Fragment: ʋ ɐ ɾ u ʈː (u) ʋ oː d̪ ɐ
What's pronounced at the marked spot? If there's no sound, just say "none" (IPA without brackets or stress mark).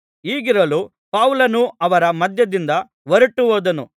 u